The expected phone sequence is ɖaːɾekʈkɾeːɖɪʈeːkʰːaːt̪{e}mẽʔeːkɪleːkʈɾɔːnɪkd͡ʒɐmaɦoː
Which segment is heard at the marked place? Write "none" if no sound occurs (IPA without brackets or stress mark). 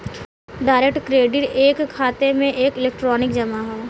e